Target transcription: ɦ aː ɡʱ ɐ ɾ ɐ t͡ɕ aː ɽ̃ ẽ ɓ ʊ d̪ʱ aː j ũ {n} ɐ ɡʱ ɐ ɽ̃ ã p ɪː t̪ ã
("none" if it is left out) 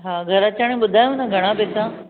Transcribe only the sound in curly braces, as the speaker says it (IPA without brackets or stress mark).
n